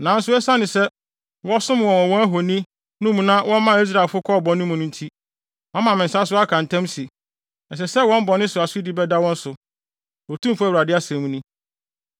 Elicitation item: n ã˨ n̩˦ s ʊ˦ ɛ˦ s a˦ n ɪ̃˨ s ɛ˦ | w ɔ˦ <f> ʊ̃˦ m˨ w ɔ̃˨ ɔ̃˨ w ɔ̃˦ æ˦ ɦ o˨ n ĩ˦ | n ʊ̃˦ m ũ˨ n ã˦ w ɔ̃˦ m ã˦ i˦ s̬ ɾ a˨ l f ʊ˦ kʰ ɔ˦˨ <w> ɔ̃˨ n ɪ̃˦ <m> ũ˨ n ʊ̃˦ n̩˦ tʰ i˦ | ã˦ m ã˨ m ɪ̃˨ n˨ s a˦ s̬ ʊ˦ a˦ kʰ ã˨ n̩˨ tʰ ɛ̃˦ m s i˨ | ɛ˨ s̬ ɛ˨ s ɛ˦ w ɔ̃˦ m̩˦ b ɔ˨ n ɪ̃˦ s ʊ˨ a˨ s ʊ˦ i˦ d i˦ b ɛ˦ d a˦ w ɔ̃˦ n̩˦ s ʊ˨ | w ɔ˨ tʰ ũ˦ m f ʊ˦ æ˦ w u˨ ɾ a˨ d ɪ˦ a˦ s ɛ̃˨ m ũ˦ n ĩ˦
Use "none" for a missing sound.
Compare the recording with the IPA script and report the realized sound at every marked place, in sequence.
s, b, m

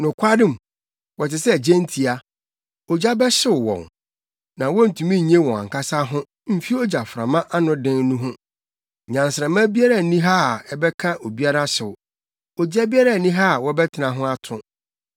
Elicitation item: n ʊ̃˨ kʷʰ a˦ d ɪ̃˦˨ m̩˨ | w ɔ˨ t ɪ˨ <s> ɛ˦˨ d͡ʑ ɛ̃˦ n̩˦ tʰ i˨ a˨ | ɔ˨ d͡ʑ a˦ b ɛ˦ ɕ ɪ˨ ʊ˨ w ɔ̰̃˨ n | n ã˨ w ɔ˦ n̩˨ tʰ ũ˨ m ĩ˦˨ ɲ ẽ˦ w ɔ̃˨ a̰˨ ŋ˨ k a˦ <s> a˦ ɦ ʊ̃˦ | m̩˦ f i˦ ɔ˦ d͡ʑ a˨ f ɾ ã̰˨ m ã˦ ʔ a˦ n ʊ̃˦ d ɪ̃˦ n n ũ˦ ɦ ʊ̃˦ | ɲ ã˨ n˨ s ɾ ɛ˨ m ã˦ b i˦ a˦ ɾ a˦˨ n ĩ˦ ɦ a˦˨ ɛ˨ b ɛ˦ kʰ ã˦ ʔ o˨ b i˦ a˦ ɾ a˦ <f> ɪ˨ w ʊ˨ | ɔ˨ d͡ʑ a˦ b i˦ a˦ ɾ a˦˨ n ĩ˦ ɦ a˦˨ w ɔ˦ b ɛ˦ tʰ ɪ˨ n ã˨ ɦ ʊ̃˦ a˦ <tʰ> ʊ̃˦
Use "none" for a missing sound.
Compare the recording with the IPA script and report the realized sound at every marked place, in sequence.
s, s, ɕ, tʰ

